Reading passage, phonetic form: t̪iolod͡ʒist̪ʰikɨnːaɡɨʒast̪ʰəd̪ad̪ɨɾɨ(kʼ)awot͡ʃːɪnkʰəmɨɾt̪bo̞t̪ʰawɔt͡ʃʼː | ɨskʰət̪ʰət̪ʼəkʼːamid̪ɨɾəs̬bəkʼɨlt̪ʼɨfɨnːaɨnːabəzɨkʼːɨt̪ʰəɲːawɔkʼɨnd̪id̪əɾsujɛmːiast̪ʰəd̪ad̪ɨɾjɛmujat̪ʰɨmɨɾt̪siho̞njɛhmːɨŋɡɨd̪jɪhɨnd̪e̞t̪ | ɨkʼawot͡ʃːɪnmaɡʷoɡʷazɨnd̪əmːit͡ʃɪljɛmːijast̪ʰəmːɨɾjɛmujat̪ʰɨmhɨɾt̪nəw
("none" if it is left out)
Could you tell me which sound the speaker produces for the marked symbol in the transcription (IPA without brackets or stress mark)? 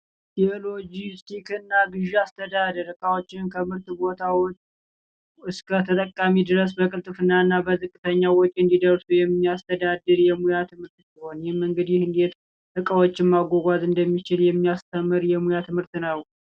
kʼ